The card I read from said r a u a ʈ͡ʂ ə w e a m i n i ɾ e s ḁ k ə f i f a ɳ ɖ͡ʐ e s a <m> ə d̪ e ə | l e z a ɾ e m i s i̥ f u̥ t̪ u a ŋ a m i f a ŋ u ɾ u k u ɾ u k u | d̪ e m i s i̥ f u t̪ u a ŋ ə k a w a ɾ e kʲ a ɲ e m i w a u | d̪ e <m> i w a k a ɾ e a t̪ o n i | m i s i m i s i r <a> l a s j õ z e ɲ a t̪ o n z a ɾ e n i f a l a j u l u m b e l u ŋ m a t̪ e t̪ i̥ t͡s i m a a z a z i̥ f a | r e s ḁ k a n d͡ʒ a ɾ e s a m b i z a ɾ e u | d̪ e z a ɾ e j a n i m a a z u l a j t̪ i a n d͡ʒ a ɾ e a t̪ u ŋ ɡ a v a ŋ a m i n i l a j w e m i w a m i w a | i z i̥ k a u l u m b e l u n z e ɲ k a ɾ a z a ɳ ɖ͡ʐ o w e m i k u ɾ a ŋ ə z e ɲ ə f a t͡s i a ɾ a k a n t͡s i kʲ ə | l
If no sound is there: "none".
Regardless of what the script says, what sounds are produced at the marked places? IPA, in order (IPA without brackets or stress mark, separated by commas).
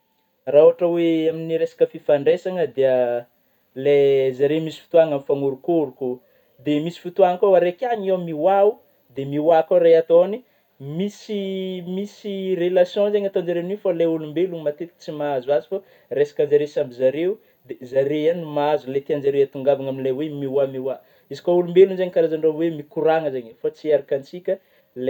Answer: ŋ, m, e